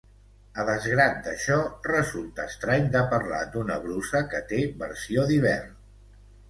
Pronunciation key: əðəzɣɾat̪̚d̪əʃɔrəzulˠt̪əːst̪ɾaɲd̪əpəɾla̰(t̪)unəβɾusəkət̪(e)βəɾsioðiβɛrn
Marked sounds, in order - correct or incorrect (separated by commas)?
incorrect, correct